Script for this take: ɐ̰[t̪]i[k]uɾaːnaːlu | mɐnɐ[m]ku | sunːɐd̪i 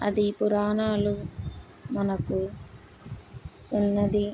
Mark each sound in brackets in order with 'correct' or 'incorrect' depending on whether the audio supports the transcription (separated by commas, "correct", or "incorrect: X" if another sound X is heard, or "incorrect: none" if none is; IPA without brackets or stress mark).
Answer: incorrect: d̪, incorrect: p, incorrect: none